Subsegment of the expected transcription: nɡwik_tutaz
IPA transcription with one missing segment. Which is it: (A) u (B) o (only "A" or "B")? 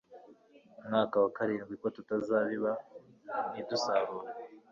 B